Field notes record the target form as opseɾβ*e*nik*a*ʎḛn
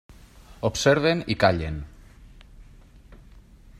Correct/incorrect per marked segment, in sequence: correct, correct

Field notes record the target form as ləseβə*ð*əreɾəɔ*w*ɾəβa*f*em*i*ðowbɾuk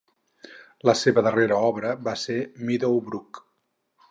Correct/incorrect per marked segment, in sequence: correct, incorrect: β, incorrect: s, correct

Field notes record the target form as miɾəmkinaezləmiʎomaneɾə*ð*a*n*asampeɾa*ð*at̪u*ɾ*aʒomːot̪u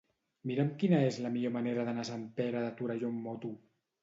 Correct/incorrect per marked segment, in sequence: correct, correct, correct, correct

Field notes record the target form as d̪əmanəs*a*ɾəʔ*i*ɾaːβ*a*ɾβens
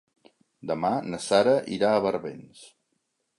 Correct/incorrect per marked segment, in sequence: correct, correct, incorrect: ə

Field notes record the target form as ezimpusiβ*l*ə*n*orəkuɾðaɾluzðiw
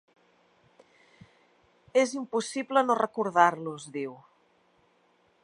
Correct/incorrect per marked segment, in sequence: correct, correct

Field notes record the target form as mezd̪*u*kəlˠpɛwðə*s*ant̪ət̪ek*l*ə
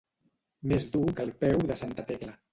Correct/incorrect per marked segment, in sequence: correct, correct, correct

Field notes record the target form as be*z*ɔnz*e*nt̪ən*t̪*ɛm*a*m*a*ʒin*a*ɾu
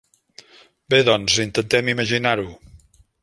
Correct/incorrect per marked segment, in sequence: incorrect: ð, incorrect: i, correct, incorrect: i, incorrect: ə, correct

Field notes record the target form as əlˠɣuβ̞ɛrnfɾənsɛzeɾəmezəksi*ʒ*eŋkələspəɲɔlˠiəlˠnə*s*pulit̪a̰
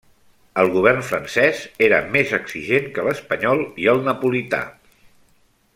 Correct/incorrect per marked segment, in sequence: correct, incorrect: none

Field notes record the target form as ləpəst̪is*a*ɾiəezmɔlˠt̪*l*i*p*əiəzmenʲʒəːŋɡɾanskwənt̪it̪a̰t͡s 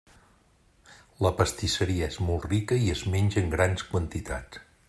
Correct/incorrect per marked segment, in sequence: incorrect: ə, incorrect: r, incorrect: k

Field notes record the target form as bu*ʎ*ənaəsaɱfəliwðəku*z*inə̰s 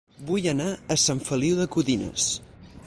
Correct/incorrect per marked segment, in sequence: incorrect: j, incorrect: ð

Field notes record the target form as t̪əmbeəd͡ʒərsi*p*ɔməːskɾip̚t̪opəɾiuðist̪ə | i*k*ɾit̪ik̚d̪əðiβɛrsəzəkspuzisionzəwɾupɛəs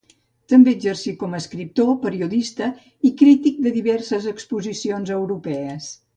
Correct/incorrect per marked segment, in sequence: incorrect: k, correct

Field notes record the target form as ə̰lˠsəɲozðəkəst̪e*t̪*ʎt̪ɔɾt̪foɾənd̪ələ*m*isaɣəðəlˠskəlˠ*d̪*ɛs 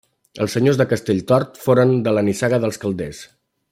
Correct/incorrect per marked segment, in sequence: incorrect: none, incorrect: n, correct

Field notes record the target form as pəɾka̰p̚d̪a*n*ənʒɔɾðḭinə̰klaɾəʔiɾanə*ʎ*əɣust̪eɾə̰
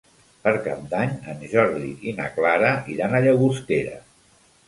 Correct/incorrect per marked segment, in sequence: incorrect: ɲ, correct

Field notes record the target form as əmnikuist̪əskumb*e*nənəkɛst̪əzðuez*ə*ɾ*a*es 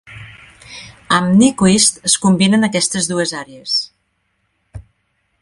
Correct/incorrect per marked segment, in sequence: incorrect: i, incorrect: a, incorrect: e

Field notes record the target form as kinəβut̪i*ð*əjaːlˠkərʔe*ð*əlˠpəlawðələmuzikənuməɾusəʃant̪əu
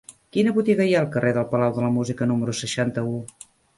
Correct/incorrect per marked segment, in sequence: incorrect: ɣ, correct

